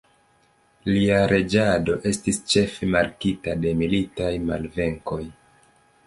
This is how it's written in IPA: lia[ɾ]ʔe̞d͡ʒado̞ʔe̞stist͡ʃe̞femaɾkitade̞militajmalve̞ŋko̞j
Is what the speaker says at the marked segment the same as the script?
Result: yes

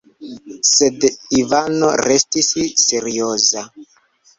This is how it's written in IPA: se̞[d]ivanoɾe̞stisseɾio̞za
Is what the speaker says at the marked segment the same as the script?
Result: yes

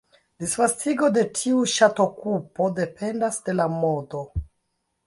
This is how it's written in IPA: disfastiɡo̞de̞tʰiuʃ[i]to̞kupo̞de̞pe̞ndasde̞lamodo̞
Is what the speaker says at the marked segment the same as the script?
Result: no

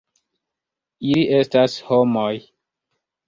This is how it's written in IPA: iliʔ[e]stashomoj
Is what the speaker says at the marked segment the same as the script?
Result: yes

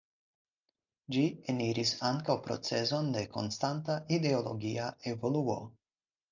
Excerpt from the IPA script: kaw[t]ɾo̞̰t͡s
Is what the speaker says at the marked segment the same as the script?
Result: no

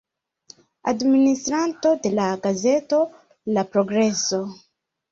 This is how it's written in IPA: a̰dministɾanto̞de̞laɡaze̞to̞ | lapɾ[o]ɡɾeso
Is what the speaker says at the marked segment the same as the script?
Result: yes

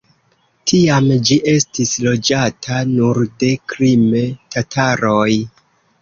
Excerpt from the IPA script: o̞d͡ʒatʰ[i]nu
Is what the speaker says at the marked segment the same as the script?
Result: no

